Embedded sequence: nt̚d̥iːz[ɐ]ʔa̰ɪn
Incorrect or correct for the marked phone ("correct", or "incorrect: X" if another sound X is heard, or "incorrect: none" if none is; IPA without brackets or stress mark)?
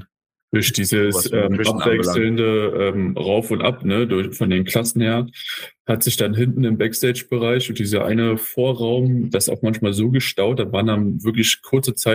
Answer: correct